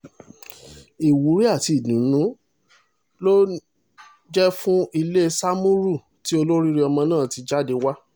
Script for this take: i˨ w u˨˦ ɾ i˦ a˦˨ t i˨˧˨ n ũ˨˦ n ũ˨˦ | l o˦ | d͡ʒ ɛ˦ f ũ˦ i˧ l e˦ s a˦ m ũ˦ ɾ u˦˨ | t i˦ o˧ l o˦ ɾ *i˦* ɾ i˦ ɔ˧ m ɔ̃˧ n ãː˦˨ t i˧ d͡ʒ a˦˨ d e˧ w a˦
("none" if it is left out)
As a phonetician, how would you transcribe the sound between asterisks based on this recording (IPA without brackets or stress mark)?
i˦